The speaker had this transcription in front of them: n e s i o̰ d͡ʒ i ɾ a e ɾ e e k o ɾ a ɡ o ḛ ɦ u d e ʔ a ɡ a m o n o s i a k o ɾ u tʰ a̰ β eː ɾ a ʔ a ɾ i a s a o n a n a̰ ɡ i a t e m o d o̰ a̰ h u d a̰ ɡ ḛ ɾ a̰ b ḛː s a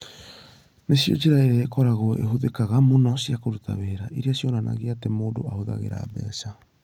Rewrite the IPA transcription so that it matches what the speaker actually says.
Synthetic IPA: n e s i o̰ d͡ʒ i ɾ a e ɾ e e k o ɾ a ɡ o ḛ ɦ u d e k a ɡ a m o n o s i a k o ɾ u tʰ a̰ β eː ɾ a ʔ i ɾ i a s i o n a n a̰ ɡ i a t e m o d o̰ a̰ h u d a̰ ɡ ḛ ɾ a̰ b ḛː s a